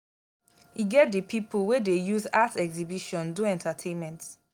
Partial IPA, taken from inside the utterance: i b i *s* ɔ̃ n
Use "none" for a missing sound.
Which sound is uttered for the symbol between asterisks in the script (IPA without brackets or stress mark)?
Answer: ʃ